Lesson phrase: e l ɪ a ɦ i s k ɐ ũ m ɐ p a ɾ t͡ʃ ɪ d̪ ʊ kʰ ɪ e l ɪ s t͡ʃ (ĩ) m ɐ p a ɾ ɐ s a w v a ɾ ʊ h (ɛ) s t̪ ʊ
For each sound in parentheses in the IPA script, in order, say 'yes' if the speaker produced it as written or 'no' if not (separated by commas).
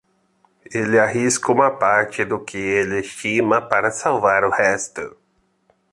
no, yes